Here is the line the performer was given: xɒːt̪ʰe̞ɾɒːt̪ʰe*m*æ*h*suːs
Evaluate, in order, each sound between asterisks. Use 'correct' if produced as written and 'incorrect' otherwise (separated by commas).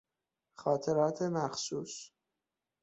correct, incorrect